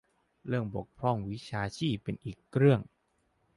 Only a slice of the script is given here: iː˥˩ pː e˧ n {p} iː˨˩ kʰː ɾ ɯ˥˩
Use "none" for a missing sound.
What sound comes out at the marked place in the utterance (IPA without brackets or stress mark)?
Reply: ʔ